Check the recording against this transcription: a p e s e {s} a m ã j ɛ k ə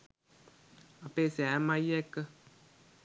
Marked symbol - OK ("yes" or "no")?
no